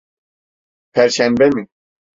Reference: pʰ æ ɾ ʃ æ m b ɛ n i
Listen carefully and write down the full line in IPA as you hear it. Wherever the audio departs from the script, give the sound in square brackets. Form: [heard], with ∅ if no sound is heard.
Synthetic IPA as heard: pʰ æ ɾ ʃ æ m b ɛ [m] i